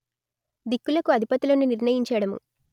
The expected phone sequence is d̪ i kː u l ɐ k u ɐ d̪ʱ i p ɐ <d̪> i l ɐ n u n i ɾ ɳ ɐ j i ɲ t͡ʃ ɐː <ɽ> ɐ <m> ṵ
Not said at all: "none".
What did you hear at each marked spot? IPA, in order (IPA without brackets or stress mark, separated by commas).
t̪, ɽ, m